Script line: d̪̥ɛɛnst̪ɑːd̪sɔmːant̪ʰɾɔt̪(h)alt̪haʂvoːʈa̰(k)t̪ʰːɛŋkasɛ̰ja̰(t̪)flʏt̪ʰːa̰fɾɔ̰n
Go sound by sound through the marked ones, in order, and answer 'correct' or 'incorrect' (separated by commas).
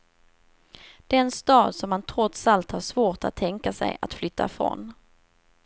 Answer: incorrect, incorrect, correct